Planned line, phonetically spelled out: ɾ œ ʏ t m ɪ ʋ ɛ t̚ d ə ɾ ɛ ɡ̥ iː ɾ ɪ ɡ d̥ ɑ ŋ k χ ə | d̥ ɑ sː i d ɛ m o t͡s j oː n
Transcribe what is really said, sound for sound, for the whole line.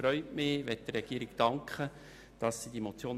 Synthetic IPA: ɾ œ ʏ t m ɪ ʋ ɛ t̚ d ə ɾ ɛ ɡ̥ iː ɾ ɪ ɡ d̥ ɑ ŋ k χ ə | d̥ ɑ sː i d i m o t͡s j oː n